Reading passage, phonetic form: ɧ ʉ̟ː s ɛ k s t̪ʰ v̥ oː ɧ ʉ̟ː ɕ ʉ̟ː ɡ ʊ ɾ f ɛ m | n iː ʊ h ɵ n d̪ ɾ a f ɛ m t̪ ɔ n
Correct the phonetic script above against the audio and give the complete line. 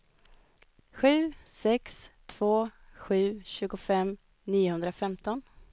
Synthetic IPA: ɧ ʉ̟ː s ɛ k s t̪ʰ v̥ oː ɧ ʉ̟ː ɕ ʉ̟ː ɡ ʊ f ɛ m | n iː ʊ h ɵ n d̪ ɾ a f ɛ m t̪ ɔ n